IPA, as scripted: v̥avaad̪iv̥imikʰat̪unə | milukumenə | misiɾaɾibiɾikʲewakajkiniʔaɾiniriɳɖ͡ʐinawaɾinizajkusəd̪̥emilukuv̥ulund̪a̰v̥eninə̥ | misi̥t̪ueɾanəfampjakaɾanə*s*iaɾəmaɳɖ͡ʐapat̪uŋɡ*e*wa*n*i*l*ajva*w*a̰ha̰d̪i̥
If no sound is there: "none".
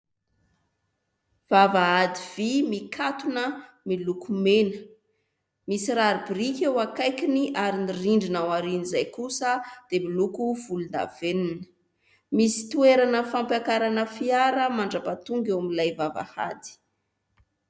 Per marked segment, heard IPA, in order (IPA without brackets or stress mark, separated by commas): f, e, m, l, v